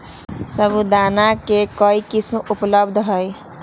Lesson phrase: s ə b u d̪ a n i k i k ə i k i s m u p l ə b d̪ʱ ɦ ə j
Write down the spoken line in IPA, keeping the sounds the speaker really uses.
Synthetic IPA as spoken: s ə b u d̪ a n a k e k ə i k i s m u p l ə b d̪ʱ ɦ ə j